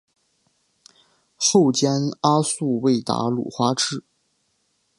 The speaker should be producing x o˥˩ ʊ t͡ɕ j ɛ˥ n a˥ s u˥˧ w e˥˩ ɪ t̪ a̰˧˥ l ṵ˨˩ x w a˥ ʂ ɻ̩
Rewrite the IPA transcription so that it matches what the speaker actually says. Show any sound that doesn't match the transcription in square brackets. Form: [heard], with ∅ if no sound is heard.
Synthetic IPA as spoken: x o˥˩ ʊ t͡ɕ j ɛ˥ n a˥ s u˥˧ w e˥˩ ɪ t̪ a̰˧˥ l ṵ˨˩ x w a˥ [ʈ͡ʂ] ɻ̩